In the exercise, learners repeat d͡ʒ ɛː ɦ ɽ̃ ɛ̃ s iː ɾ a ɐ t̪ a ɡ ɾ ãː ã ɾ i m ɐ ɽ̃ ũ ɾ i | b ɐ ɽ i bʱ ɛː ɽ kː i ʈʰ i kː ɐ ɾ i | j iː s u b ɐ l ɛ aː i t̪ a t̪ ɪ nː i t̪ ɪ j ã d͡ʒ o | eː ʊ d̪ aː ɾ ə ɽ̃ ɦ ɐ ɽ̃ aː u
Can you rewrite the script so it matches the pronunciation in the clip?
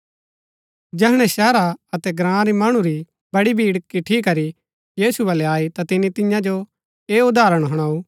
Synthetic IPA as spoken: d͡ʒ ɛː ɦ ɽ̃ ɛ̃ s ɛː ɾ a ɐ t̪ ɛ ɡ ɾ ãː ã ɾ i m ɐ ɽ̃ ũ ɾ i | b ɐ ɽ i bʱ iː ɽ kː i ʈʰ i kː ɐ ɾ i | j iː s u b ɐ l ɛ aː i t̪ a t̪ ɪ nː i t̪ ɪ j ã d͡ʒ o | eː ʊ d̪ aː ɾ ə ɽ̃ ɦ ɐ ɽ̃ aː u